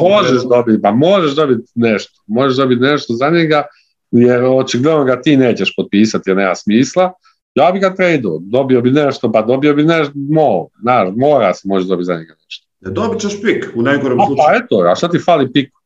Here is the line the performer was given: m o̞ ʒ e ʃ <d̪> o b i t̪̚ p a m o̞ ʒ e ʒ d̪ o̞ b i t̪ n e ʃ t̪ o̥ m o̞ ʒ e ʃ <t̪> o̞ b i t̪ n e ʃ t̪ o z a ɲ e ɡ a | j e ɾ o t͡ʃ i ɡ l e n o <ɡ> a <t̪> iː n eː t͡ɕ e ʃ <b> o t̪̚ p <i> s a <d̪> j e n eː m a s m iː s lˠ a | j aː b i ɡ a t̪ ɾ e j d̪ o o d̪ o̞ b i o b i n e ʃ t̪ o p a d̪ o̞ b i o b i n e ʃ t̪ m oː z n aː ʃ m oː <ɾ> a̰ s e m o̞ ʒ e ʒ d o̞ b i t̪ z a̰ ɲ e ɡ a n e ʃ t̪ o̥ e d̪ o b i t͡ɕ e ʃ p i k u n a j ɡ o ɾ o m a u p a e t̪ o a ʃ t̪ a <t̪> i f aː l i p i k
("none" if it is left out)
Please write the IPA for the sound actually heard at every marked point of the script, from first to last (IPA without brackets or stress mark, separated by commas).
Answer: d̪, d̪, ɡ, t̪, p, iː, t̪, ɾ, t̪